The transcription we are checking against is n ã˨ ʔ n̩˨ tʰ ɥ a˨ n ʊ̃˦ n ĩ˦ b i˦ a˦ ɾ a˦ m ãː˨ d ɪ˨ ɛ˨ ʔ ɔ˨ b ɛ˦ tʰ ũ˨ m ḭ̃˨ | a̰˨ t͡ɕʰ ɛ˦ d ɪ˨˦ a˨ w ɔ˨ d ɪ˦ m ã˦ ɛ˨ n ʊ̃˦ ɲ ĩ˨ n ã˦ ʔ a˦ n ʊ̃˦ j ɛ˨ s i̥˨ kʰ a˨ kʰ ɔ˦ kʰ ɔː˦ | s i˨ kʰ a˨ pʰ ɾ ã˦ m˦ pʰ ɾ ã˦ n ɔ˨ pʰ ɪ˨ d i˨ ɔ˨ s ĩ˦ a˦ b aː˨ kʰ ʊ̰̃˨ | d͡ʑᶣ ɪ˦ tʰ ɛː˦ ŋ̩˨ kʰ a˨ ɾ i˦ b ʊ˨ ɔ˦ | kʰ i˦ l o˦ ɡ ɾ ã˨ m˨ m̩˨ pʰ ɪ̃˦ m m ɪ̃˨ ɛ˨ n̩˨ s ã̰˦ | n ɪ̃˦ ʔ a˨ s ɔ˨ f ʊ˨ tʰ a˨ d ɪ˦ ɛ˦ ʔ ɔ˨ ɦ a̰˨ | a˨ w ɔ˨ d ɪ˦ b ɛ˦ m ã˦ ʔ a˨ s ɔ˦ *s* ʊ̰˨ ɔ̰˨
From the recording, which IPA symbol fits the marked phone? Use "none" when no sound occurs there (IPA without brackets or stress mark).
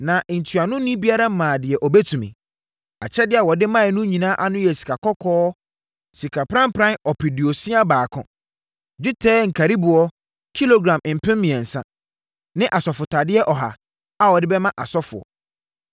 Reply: f